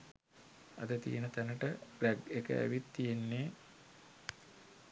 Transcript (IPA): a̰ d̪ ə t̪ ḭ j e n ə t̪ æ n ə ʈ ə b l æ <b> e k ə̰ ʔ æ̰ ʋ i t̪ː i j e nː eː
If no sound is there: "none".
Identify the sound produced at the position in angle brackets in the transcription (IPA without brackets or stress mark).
ɡ